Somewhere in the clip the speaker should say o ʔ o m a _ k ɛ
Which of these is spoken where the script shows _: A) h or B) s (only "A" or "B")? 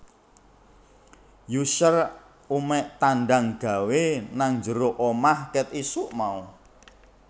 A